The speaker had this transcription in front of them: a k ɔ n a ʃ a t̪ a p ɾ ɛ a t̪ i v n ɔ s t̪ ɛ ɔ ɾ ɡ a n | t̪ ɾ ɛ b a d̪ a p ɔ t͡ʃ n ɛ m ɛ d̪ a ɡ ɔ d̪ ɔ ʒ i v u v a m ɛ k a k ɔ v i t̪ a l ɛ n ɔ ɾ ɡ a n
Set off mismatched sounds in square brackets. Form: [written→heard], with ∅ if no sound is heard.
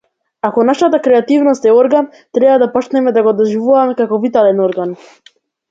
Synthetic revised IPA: a k ɔ n a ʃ a t̪ a [p→k] ɾ ɛ a t̪ i v n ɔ s t̪ ɛ ɔ ɾ ɡ a n | t̪ ɾ ɛ b a d̪ a p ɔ t͡ʃ n ɛ m ɛ d̪ a ɡ ɔ d̪ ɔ ʒ i v u v a m ɛ k a k ɔ v i t̪ a l ɛ n ɔ ɾ ɡ a n